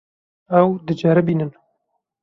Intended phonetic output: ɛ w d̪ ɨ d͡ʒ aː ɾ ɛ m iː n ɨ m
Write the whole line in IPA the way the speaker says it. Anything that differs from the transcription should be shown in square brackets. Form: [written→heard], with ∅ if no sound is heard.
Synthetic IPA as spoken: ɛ w d̪ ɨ d͡ʒ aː ɾ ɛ [m→b] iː n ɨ [m→n]